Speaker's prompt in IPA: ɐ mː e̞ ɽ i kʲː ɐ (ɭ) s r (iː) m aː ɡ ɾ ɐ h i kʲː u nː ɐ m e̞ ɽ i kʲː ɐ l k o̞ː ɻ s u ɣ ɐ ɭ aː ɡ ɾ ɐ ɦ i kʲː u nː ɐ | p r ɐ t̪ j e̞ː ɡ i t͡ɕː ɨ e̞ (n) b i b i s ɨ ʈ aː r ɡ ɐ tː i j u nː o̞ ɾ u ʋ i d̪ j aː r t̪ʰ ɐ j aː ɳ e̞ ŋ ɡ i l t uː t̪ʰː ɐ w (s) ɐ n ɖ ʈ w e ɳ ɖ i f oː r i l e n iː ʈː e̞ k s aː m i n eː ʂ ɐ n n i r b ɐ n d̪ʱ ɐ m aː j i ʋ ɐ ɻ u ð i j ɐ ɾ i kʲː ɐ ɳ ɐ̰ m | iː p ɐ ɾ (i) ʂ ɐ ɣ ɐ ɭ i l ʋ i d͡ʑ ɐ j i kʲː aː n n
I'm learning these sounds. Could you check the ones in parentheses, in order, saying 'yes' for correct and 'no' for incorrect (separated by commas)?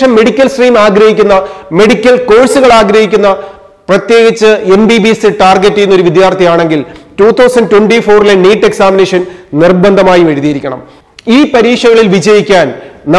no, yes, no, yes, no